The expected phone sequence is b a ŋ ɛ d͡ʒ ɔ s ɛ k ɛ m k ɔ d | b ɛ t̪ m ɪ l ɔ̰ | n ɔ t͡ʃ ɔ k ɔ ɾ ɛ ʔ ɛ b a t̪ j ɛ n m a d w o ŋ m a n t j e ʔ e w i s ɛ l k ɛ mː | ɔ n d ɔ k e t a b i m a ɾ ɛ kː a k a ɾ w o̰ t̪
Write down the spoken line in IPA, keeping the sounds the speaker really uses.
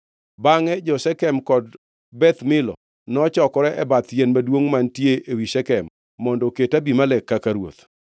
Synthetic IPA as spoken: b a ŋ ɛ d͡ʒ ɔ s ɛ k ɛ m k ɔ d | b ɛ t̪ m ɪ l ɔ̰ | n ɔ t͡ʃ ɔ k ɔ ɾ ɛ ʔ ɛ b a t̪ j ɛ n m a d w o ŋ m a n t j e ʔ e w i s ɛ k ɛ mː | ɔ n d ɔ k e t a b i m a l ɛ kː a k a ɾ w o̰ t̪

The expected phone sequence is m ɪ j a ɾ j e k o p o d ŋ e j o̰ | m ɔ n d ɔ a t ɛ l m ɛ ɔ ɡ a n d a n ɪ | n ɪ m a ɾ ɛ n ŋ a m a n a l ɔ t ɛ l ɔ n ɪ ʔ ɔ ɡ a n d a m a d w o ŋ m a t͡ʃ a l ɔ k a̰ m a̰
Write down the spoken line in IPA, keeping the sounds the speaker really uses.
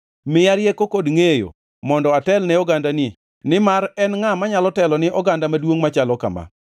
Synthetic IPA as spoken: m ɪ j a ɾ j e k o k o d ŋ e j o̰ | m ɔ n d ɔ a t ɛ l n ɛ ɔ ɡ a n d a n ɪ | n ɪ m a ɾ ɛ n ŋ a m a ɲ a l ɔ t ɛ l ɔ n ɪ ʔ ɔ ɡ a n d a m a d w o ŋ m a t͡ʃ a l ɔ k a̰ m a̰

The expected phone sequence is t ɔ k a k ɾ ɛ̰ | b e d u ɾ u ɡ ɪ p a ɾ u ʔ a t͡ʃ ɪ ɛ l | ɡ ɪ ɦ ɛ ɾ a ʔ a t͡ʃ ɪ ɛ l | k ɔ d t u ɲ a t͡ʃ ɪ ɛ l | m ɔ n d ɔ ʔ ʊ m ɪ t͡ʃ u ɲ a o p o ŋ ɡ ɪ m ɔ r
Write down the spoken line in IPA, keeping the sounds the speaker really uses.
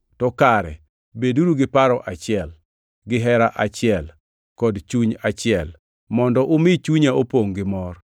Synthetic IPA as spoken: t ɔ k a ɾ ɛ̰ | b e d u ɾ u ɡ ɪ p a ɾ ɔ ʔ a t͡ʃ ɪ ɛ l | ɡ ɪ ɦ ɛ ɾ a ʔ a t͡ʃ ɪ ɛ l | k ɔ d t͡ʃ u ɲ a t͡ʃ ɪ ɛ l | m ɔ n d ɔ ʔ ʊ m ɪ t͡ʃ u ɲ a o p o ŋ ɡ ɪ m ɔ r

